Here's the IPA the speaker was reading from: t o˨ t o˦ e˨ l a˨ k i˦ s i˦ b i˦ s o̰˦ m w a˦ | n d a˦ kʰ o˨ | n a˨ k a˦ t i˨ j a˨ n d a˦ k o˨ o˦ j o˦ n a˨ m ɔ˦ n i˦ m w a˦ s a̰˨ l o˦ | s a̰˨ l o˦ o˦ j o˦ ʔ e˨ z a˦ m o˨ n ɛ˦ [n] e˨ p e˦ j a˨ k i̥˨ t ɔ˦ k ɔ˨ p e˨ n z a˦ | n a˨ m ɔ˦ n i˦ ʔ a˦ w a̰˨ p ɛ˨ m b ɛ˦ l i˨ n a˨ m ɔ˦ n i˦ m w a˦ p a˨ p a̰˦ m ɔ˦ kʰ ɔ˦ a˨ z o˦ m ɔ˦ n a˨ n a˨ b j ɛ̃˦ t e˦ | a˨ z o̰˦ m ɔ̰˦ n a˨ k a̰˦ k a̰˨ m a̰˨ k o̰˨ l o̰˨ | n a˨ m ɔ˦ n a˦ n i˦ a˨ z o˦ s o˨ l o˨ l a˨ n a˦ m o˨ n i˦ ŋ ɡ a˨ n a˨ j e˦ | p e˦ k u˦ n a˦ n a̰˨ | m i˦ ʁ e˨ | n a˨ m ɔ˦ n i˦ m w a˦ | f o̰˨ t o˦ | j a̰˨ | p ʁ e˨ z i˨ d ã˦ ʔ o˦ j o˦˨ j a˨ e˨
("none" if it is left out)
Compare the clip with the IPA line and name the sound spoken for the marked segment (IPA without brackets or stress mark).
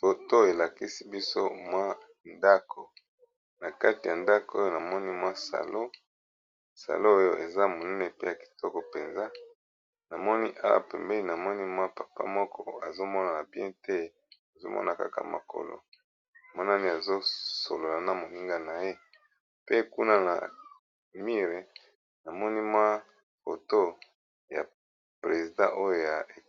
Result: n